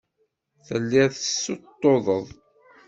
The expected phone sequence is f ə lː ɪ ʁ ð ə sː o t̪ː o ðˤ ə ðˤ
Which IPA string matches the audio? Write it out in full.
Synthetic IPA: θ ə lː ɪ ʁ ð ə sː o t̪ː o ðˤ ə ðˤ